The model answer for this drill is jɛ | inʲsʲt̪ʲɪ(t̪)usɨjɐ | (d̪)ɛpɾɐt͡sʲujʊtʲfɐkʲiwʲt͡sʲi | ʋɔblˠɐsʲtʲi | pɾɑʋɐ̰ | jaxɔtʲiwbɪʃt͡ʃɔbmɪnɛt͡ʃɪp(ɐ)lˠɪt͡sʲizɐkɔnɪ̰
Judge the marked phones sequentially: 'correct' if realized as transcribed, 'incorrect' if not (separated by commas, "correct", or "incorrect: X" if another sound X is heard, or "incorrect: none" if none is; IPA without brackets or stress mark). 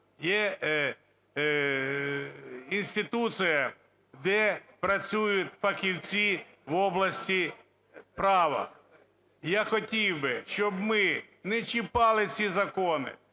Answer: correct, correct, incorrect: ɑ